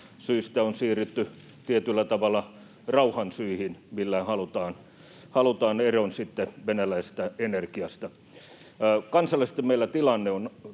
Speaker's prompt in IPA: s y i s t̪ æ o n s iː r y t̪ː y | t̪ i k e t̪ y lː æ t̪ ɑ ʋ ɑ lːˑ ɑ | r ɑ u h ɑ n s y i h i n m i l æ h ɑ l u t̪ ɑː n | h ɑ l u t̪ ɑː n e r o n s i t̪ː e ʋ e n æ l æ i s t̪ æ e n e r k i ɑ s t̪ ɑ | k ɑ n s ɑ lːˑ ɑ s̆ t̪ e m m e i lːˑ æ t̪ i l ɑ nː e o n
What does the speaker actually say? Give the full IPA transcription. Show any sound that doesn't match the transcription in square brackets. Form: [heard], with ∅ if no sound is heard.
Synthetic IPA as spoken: s y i s t̪ æ o n s iː r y t̪ː y | t̪ i [∅] e t̪ y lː æ t̪ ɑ ʋ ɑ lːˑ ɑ | r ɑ u h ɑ n s y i h i n m i [lː] æ h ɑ l u t̪ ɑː n | h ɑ l u t̪ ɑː n e r o n s i t̪ː e ʋ e n æ l æ i s t̪ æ e n e r k i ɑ s t̪ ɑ | k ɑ n s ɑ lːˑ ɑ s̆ t̪ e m m e i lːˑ æ t̪ i l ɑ nː e o n